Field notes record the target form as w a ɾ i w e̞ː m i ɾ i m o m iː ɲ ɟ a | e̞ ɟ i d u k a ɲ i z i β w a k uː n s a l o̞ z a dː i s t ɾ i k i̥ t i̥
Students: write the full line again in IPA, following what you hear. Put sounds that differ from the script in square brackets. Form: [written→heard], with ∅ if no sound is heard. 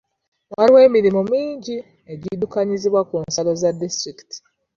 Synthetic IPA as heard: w a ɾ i w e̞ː m i ɾ i m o m iː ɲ ɟ [a→i] | e̞ ɟ i d u k a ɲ i z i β w a k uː n s a l o̞ z a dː i s t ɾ i k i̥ t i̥